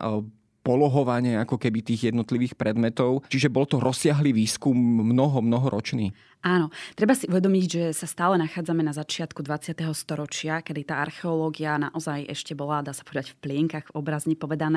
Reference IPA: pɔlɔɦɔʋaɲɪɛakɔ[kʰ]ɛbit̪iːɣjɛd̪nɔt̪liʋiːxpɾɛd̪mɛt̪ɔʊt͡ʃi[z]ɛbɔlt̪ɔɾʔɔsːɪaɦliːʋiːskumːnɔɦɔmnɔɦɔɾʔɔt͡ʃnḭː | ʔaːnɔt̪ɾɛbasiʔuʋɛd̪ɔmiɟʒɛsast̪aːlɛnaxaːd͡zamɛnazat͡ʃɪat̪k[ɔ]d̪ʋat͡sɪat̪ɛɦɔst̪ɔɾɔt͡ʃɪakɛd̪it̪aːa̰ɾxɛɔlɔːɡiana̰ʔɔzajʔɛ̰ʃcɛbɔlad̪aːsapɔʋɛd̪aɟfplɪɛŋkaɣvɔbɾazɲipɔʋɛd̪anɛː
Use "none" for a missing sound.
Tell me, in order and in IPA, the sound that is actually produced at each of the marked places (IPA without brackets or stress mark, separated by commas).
k, ʒ, u